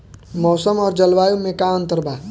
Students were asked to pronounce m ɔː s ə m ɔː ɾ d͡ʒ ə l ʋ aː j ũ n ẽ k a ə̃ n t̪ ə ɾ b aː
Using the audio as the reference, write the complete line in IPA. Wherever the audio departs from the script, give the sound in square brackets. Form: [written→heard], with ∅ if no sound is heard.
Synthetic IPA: m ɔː s ə m ɔː ɾ d͡ʒ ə l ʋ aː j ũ [n→m] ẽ k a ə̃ n t̪ ə ɾ b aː